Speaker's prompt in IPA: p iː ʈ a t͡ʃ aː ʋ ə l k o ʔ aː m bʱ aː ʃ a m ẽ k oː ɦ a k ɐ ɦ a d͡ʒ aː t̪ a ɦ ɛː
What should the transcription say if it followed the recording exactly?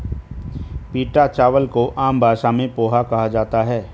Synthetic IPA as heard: p iː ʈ a t͡ʃ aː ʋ ə l k o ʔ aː m bʱ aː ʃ a m ẽ p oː ɦ a k ɐ ɦ a d͡ʒ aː t̪ a ɦ ɛː